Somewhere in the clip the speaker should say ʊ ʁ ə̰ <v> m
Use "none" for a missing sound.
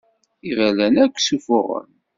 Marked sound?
none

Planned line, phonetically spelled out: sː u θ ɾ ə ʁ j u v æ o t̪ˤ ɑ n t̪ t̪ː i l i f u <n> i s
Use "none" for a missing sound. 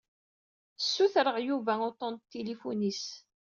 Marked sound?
n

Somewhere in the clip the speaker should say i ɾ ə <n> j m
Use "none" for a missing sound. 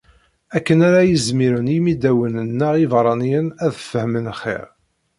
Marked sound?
n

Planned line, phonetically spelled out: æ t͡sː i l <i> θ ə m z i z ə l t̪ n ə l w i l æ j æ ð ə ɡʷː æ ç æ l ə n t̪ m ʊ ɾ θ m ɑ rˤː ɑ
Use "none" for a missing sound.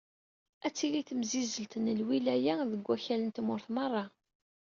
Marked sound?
i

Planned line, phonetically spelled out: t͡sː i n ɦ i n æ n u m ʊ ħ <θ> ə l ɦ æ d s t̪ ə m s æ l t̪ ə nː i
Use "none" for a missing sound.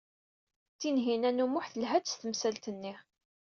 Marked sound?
θ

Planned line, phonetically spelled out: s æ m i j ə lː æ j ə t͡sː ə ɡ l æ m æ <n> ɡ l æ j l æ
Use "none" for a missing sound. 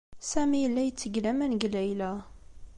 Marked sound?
n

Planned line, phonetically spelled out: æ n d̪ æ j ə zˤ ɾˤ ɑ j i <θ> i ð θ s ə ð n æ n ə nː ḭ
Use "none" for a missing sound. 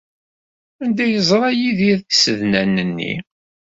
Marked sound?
ð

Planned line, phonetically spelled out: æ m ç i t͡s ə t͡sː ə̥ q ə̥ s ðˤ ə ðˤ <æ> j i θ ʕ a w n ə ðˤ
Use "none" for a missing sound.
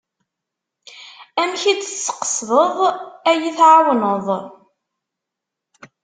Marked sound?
æ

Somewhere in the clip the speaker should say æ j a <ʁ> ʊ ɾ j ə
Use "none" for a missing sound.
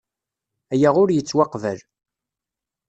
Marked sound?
ʁ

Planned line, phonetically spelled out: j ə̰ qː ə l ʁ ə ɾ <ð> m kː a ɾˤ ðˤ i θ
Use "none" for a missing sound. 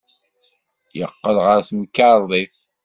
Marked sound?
θ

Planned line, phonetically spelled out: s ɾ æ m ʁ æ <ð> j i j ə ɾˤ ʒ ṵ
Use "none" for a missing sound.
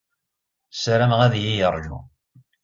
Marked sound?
ð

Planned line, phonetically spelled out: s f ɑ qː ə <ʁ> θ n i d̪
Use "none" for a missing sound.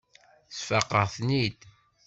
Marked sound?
ʁ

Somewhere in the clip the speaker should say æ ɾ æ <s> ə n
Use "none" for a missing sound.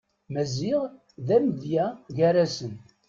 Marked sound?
s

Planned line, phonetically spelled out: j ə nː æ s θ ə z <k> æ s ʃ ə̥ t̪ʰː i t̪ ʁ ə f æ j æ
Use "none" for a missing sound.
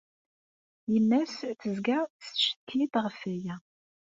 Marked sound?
ɡ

